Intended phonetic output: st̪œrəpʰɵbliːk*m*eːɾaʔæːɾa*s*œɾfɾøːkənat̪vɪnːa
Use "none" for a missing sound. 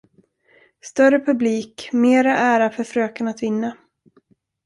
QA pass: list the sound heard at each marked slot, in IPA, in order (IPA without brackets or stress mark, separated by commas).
m, f